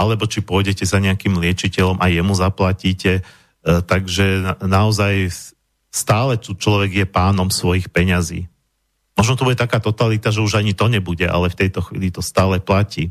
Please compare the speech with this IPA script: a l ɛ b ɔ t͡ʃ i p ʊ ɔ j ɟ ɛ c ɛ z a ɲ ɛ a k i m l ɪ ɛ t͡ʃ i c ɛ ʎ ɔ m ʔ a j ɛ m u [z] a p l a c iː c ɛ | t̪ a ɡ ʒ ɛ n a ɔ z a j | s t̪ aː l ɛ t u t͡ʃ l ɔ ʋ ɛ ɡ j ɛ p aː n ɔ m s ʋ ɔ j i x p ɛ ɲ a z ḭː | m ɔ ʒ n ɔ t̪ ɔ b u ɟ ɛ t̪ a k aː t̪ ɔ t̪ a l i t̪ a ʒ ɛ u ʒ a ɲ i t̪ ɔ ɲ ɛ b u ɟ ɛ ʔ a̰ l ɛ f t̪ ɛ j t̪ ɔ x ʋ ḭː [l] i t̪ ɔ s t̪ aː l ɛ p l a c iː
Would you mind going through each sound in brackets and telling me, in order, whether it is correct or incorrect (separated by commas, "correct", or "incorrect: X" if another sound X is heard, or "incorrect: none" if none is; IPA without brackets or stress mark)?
correct, correct